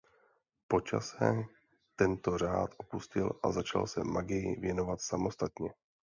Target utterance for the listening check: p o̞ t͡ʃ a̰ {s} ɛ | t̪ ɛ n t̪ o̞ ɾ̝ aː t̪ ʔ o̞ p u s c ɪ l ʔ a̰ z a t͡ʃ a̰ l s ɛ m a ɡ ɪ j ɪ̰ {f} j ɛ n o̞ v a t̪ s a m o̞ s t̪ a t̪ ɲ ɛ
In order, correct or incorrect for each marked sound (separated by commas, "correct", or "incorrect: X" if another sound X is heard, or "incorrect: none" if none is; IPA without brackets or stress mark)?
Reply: correct, incorrect: v